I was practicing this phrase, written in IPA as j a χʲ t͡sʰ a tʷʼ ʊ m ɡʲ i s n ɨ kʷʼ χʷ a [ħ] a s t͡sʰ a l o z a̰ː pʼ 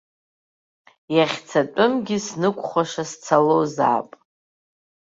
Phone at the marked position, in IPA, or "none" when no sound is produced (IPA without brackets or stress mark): ʂ